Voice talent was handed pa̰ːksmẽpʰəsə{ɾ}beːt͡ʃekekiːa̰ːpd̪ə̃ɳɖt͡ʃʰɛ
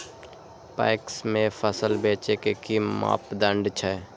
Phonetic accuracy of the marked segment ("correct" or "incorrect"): incorrect